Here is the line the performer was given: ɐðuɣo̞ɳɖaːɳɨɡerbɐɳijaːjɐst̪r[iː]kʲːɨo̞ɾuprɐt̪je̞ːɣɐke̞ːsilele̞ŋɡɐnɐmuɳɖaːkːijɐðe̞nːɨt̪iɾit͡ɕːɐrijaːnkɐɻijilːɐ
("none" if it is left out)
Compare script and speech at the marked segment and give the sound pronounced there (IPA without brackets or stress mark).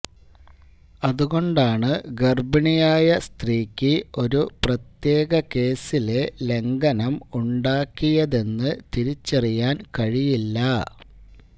iː